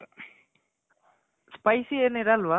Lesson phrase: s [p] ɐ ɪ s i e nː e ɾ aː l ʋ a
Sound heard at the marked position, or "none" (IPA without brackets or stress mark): p